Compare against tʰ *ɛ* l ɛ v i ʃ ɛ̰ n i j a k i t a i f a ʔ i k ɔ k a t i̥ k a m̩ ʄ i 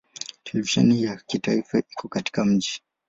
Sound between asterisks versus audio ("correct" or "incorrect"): correct